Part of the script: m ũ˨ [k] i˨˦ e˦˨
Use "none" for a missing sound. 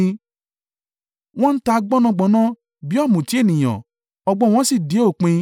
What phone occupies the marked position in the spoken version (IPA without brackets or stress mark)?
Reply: t